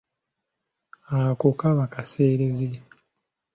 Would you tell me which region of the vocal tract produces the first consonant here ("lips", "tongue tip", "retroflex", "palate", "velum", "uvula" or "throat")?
velum